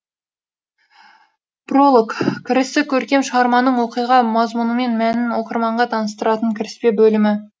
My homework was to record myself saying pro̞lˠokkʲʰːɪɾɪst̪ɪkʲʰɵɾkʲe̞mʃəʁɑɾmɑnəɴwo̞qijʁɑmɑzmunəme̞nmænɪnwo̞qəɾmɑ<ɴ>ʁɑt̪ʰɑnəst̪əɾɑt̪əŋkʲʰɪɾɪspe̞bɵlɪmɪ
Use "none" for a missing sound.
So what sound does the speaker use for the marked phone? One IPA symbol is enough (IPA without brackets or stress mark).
ɴ